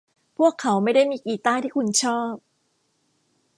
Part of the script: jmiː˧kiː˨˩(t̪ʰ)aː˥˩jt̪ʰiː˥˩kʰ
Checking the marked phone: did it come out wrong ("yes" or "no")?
yes